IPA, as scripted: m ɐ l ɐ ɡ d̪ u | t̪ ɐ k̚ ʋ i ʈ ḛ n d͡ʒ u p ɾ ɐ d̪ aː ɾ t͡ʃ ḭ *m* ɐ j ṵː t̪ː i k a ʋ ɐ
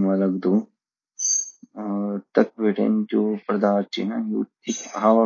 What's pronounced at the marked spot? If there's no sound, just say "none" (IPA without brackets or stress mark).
n